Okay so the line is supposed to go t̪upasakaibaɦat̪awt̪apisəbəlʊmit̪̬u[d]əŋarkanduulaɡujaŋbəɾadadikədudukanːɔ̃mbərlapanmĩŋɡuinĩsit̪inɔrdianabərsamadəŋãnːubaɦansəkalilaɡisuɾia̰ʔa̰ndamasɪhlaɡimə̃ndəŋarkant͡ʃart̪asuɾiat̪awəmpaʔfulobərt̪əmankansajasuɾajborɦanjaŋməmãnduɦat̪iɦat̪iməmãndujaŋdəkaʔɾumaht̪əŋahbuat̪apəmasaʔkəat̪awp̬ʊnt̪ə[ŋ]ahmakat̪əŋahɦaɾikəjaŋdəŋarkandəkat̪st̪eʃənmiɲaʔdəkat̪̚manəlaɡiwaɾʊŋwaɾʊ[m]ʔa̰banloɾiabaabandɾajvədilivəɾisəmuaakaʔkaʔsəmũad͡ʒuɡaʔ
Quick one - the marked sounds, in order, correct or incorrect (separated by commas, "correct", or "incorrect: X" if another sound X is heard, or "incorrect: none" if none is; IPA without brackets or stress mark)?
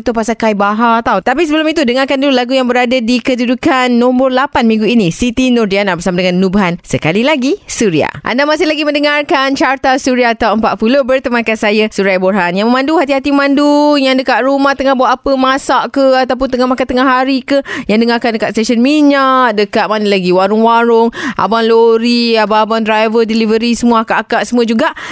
correct, correct, incorrect: ŋ